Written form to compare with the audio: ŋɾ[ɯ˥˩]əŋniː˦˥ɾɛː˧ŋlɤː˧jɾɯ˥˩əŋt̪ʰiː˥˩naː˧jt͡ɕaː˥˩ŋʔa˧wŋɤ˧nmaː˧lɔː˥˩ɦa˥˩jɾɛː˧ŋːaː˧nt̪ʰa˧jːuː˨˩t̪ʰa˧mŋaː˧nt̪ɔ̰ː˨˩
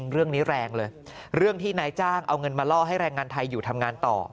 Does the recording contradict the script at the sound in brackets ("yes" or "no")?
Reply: no